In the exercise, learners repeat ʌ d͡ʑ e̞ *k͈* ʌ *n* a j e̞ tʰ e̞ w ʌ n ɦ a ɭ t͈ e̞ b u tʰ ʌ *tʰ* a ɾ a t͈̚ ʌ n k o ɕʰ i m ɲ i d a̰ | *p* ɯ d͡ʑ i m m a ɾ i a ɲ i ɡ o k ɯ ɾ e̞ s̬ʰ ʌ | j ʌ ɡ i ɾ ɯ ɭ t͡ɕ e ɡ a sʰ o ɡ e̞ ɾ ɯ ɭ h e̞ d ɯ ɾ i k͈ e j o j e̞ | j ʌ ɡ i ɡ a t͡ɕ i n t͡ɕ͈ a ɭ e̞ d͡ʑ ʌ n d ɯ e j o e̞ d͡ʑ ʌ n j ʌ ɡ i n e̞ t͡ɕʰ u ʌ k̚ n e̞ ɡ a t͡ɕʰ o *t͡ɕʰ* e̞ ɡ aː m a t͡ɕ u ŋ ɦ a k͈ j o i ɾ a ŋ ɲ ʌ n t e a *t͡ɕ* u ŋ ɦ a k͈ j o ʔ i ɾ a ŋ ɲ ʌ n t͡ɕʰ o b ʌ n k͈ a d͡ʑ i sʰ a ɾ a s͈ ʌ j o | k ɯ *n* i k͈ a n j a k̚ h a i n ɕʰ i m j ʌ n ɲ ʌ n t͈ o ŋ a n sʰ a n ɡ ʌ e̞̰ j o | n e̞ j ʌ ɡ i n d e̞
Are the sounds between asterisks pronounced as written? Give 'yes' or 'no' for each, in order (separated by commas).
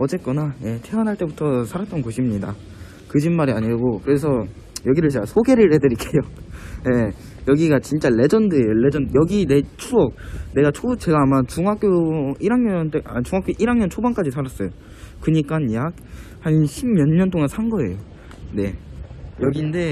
yes, yes, no, no, no, yes, no